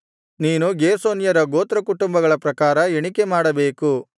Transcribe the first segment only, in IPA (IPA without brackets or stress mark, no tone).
n